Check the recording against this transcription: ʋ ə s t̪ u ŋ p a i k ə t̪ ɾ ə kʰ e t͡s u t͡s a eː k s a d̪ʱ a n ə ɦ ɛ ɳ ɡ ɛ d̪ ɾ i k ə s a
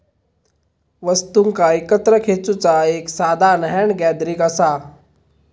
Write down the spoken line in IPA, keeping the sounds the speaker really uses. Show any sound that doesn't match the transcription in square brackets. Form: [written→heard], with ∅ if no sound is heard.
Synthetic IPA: ʋ ə s t̪ u ŋ [p→k] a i k ə t̪ ɾ ə kʰ e t͡s u t͡s a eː k s a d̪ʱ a n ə ɦ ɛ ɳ ɡ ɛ d̪ ɾ i k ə s a